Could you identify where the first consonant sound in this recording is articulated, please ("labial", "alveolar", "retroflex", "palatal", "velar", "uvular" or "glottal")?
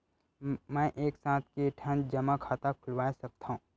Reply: labial